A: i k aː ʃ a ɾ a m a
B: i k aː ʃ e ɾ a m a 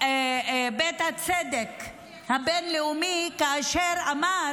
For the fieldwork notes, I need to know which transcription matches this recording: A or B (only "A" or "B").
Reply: B